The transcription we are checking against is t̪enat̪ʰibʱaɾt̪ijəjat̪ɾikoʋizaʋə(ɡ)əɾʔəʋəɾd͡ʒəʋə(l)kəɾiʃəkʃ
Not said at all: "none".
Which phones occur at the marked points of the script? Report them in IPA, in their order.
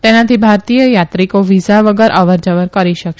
ɡ, ɾ

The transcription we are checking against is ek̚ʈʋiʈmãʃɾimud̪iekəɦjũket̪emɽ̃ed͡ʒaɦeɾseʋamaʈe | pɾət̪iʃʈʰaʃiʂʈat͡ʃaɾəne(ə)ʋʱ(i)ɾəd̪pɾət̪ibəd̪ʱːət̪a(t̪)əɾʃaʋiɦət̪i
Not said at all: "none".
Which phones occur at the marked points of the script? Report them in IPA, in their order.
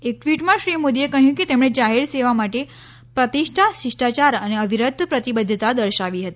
ə, i, d̪

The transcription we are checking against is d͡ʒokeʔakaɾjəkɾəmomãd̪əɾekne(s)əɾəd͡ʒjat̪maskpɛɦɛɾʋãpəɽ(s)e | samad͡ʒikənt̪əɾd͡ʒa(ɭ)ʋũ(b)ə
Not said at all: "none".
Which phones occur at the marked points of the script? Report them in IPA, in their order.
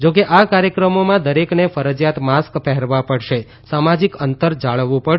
f, ʃ, ɭ, p

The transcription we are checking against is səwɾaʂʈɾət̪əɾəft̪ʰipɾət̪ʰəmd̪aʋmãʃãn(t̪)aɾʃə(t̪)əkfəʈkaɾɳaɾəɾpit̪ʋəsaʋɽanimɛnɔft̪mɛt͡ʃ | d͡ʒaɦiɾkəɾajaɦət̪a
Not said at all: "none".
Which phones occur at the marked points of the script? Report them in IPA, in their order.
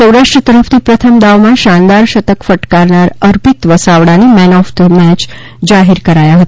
d̪, t̪

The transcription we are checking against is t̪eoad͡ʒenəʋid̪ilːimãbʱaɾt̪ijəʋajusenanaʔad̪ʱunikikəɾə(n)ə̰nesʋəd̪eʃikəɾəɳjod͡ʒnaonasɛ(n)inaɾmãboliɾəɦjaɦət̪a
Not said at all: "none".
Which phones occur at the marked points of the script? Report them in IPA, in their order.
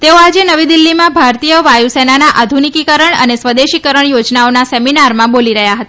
ɳ, m

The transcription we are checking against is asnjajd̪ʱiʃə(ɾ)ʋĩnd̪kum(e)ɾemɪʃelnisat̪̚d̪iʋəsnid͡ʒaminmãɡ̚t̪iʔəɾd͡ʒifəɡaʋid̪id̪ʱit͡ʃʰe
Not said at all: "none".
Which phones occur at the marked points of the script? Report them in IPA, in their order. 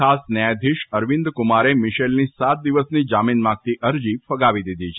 ɾ, a

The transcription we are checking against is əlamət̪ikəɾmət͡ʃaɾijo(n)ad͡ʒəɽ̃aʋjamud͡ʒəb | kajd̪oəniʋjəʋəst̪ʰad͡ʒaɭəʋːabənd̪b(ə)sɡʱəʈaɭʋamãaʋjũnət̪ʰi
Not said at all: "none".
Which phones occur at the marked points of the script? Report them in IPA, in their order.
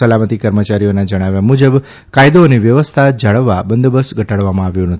n, ə

